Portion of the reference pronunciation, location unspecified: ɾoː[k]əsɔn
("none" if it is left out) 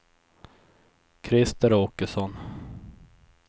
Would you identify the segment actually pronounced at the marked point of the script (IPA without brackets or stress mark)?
k